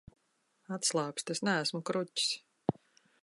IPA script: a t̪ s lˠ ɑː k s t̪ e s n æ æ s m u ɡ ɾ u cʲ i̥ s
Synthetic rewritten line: a t̪ s lˠ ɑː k s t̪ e s n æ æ s m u k ɾ u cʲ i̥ s